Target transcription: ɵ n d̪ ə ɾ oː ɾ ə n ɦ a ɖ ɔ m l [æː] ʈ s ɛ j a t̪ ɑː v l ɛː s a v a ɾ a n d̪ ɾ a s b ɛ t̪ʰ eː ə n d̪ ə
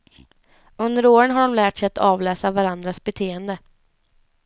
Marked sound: correct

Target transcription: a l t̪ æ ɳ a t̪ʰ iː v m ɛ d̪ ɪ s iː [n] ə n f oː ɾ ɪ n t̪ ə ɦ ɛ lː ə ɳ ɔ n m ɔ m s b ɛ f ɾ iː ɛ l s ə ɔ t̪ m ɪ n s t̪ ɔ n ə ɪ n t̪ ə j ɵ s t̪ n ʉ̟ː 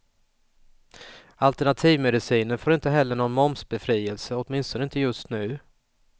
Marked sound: correct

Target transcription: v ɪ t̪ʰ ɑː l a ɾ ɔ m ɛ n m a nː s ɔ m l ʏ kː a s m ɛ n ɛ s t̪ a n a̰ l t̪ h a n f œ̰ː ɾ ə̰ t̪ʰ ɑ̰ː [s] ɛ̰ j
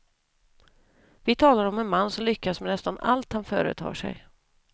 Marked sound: incorrect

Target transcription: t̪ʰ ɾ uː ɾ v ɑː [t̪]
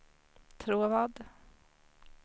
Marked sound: incorrect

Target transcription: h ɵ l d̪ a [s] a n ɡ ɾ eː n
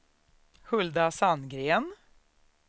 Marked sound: correct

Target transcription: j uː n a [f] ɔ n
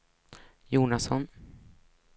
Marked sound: incorrect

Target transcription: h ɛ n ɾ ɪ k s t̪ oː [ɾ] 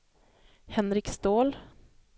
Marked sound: incorrect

